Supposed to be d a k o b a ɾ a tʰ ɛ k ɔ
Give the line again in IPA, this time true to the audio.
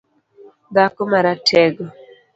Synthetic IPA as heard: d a k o m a ɾ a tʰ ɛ ɡ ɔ